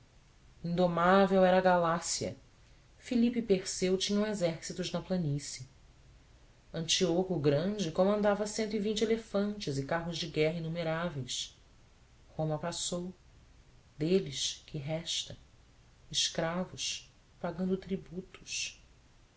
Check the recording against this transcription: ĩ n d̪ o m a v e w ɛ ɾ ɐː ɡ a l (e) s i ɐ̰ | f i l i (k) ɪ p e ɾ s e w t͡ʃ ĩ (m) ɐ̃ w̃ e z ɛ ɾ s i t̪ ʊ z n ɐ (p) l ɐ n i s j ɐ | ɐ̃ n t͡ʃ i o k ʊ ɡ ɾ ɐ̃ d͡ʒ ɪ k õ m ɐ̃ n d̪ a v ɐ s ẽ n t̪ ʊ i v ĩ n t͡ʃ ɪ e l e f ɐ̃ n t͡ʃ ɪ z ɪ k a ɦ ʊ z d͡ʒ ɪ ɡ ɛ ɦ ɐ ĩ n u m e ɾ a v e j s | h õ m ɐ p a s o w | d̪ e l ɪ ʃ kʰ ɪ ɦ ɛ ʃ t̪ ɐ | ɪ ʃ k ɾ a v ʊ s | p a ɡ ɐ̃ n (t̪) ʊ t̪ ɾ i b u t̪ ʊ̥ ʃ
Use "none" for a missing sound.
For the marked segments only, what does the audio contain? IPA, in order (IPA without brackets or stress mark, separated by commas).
a, p, ɲ, p, d̪